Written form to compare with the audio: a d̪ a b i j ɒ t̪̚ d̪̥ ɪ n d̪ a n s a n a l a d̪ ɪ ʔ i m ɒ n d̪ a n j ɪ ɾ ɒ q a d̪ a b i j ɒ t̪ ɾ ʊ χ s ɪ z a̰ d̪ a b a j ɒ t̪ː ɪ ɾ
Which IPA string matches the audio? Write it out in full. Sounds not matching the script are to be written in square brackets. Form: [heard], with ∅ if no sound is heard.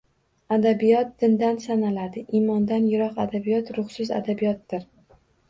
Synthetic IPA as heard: a d̪ a b i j ɒ t̪̚ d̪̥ ɪ n d̪ a n s a n a l a d̪ ɪ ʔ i m ɒ n d̪ a n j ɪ ɾ ɒ q a d̪ a b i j ɒ t̪ ɾ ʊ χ s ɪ z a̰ d̪ a b [i] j ɒ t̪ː ɪ ɾ